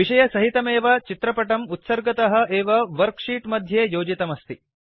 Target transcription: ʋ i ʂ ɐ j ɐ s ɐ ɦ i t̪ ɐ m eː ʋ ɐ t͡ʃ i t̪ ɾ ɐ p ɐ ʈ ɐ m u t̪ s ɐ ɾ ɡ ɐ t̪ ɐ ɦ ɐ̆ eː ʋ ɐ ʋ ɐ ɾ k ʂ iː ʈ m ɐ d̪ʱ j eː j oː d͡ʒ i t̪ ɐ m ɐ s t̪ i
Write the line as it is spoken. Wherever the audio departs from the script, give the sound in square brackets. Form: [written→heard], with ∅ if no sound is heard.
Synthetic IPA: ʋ i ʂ ɐ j ɐ s ɐ ɦ i t̪ ɐ m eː ʋ ɐ t͡ʃ i t̪ ɾ ɐ p ɐ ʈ ɐ m u t̪ s ɐ ɾ ɡ ɐ t̪ ɐ ɦ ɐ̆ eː ʋ ɐ ʋ ɐ ɾ k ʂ iː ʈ m ɐ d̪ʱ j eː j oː d͡ʒ i t̪ ɐ m ɐ s t̪ i